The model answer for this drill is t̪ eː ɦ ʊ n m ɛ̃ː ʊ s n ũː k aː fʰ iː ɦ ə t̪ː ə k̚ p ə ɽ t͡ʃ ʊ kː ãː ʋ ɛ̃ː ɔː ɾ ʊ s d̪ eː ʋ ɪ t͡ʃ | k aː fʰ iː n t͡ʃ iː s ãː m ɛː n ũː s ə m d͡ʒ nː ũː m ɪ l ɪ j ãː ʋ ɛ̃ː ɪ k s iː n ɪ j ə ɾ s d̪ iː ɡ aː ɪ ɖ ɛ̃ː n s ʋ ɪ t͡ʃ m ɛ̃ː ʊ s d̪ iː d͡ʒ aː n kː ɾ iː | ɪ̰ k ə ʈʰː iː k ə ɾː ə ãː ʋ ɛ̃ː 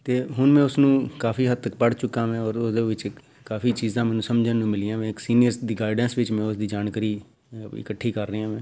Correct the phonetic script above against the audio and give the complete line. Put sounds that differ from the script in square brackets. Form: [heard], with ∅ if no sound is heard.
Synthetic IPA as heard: t̪ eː ɦ ʊ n m ɛ̃ː ʊ s n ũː k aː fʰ iː ɦ ə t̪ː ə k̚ p ə ɽ t͡ʃ ʊ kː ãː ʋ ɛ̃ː ɔː ɾ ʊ s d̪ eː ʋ ɪ t͡ʃ | k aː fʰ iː [∅] t͡ʃ iː [z] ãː m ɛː n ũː s ə m d͡ʒ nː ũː m ɪ l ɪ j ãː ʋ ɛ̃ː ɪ k s iː n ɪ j ə ɾ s d̪ iː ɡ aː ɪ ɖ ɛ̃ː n s ʋ ɪ t͡ʃ m ɛ̃ː ʊ s d̪ iː d͡ʒ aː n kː ɾ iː | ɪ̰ k ə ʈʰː iː k ə ɾː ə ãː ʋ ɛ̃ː